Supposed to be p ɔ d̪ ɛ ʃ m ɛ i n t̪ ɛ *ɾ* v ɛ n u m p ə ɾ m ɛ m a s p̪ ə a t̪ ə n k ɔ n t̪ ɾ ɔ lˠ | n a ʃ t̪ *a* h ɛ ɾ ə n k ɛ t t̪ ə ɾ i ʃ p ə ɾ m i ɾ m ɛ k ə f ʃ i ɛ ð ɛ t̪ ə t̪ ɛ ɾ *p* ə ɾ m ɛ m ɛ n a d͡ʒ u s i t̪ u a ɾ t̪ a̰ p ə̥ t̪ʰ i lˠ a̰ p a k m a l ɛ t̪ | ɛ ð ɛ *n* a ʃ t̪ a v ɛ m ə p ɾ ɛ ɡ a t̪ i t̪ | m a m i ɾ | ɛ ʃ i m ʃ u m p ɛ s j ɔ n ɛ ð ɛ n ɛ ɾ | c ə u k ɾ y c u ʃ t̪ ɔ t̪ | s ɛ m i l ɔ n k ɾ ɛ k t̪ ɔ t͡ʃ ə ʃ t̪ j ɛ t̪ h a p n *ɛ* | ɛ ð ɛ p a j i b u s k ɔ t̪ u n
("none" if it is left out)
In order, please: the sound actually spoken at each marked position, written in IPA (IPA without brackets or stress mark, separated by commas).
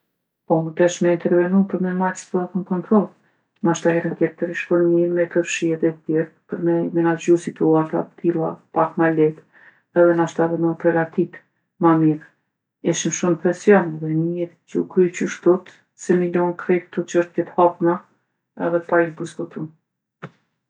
ɾ, a, p, n, a